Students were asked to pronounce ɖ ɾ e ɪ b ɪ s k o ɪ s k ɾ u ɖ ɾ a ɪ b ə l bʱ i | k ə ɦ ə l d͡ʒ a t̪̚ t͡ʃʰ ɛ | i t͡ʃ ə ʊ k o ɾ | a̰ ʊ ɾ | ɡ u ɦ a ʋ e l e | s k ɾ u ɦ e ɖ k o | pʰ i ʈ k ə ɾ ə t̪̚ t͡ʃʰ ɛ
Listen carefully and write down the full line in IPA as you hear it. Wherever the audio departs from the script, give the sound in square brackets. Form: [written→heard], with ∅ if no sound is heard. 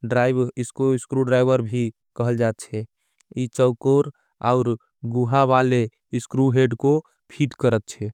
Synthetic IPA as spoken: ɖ ɾ [e→a] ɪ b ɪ s k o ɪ s k ɾ u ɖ ɾ a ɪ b ə [l→ɾ] bʱ i | k ə ɦ ə l d͡ʒ a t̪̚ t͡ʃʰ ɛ | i t͡ʃ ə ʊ k o ɾ | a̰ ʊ ɾ | ɡ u ɦ a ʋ [e→a] l e | s k ɾ u ɦ e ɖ k o | pʰ i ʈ k ə ɾ ə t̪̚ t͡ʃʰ ɛ